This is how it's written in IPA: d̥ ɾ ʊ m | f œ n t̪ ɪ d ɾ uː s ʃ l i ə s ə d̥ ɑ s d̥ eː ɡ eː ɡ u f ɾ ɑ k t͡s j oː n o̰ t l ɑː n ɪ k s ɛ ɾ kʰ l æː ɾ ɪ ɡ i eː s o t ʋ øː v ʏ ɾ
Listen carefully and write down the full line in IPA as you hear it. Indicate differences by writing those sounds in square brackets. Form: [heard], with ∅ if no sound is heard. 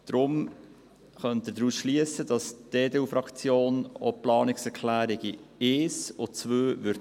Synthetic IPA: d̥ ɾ ʊ m | [χ] œ n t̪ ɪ d ɾ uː s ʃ l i ə s ə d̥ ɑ s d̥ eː [d] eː [∅] u f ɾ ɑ k t͡s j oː n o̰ [p] l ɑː n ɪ k s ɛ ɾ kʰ l æː ɾ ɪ ɡ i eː s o [t͡s] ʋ øː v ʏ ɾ

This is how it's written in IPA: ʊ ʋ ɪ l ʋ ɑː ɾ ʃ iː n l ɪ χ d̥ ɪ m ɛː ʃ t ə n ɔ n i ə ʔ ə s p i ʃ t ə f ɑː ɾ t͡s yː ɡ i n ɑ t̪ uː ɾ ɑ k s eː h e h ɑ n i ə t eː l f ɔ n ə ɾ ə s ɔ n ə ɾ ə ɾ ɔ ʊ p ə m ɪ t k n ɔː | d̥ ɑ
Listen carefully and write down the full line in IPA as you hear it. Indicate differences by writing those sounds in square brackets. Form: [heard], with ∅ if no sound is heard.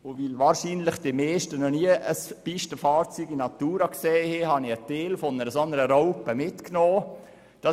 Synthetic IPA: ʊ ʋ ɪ l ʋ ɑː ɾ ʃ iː n l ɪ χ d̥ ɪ m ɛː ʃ t ə n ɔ n i ə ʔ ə s p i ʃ t ə f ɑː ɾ t͡s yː ɡ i n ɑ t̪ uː ɾ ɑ k s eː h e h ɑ n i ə t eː l f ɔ n ə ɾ ə s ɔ n ə ɾ ə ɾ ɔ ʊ p ə m ɪ t k n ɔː | d̥ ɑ

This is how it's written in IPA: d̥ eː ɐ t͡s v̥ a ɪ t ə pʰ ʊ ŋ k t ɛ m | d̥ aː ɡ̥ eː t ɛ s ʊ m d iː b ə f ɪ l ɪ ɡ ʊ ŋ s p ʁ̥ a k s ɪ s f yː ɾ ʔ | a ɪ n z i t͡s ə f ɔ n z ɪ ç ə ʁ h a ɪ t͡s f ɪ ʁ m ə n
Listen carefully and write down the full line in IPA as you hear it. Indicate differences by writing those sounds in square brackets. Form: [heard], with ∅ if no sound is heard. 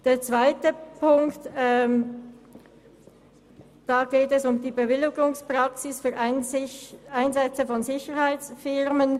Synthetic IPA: d̥ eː ɐ t͡s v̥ a ɪ t ə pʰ ʊ ŋ k t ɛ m | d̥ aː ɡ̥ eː t ɛ s ʊ m d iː b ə [v] ɪ l ɪ ɡ ʊ ŋ s p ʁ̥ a k s ɪ s f yː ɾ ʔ | a ɪ n z [ɛ] t͡s ə f ɔ n z ɪ ç ə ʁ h a ɪ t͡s f ɪ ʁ m ə n

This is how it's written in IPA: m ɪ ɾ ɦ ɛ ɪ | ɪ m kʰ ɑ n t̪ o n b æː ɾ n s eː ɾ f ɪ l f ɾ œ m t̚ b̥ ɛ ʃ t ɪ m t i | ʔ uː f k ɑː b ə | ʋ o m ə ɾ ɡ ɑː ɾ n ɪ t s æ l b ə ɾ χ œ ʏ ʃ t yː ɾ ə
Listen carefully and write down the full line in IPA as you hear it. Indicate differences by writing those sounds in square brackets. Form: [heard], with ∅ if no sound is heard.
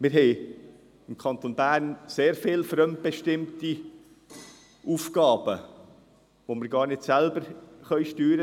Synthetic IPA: m ɪ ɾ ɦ ɛ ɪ | ɪ m kʰ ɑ n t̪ o n b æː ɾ n s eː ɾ f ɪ l f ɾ œ m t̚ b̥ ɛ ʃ t ɪ m t i | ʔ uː f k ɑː b ə | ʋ o m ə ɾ ɡ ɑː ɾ n ɪ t s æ l b ə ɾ χ œ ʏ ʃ t yː ɾ ə

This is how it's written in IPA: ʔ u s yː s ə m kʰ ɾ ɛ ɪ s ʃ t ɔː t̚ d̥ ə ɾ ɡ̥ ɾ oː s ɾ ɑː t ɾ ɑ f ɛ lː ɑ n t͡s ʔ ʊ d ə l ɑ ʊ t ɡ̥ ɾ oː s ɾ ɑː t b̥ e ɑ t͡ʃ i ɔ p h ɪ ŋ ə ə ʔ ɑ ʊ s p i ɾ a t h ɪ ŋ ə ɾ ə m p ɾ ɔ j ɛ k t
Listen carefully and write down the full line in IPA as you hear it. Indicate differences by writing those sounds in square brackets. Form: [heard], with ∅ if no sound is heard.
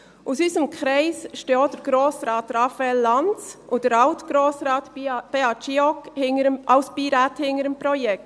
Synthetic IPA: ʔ u s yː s ə m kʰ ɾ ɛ ɪ s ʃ t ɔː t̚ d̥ ə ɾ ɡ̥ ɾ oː s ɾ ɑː t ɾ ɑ f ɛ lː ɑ n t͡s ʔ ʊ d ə [ɾ] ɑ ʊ t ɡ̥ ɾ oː s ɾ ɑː t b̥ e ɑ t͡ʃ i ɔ [k] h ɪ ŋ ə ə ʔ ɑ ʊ s p i ɾ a t h ɪ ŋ ə ɾ ə m p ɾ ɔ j ɛ k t

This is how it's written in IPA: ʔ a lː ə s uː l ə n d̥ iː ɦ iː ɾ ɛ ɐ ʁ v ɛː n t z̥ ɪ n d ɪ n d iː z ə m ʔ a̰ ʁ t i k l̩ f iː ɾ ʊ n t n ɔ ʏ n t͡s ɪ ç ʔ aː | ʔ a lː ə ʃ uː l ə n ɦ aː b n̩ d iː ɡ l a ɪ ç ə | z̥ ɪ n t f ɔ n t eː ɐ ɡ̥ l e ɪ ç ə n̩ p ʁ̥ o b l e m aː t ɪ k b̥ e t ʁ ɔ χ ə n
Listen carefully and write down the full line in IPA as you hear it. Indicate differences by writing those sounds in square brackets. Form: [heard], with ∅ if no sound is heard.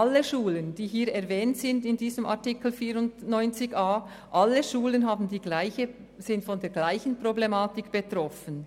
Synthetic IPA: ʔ a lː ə [ʃ] uː l ə n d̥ iː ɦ iː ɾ ɛ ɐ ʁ v ɛː n t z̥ ɪ n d ɪ n d iː z ə m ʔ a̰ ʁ t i k l̩ f iː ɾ ʊ n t n ɔ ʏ n t͡s ɪ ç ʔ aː | ʔ a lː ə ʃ uː l ə n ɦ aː b n̩ d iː ɡ l a ɪ ç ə | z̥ ɪ n t f ɔ n [d] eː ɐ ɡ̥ l [a] ɪ ç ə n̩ p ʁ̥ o b l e m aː t ɪ k b̥ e t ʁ ɔ [f] ə n

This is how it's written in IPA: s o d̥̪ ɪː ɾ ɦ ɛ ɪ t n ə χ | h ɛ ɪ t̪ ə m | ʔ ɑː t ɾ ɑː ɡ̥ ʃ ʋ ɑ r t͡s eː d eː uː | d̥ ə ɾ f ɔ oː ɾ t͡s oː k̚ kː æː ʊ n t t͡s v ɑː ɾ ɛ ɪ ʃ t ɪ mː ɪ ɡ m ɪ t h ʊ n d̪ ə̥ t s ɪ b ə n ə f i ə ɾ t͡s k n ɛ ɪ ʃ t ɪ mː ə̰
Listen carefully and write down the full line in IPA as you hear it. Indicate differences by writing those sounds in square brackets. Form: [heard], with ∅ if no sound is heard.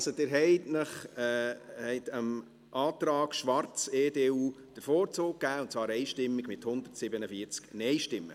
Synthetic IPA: s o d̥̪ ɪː ɾ ɦ ɛ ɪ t n ə χ | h ɛ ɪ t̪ ə m | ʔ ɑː t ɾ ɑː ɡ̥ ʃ ʋ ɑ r t͡s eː d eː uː | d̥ ə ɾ f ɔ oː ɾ t͡s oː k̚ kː æː ʊ n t t͡s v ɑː ɾ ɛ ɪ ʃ t ɪ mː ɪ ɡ m ɪ t h ʊ n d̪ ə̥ t s ɪ b ə n ə f i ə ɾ t͡s k n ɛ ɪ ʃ t ɪ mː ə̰

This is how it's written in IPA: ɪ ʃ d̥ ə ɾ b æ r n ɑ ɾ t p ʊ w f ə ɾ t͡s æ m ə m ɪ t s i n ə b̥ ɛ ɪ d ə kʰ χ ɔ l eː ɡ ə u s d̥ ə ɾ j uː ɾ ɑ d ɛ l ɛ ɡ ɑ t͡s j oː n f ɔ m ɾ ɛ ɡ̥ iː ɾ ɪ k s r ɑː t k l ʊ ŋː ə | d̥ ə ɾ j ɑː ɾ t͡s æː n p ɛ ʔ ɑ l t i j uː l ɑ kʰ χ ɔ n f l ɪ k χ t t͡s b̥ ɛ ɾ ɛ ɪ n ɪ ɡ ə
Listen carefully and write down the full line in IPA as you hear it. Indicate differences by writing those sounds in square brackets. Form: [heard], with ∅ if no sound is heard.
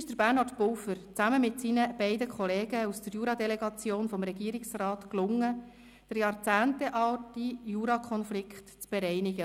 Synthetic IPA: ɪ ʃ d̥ ə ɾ b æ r n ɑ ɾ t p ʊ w f ə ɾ t͡s æ m ə m ɪ t s i n ə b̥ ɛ ɪ d ə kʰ χ ɔ l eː ɡ ə u s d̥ ə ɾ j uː ɾ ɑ d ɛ l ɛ ɡ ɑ t͡s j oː n f ɔ m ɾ ɛ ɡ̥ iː ɾ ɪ k s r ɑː t k l ʊ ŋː ə | d̥ ə ɾ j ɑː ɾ t͡s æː n [t] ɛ ʔ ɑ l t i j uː [ɾ] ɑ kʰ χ ɔ n f l ɪ k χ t t͡s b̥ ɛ ɾ ɛ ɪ n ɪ ɡ ə

